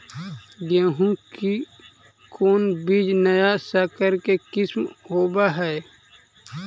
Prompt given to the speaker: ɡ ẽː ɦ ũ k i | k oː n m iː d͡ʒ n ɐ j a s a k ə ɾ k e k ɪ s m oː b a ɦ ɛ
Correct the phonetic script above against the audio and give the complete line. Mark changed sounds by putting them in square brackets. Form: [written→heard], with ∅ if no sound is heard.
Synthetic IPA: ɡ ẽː ɦ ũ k i | k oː n [m→b] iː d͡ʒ n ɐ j a s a k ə ɾ k e k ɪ s m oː b a ɦ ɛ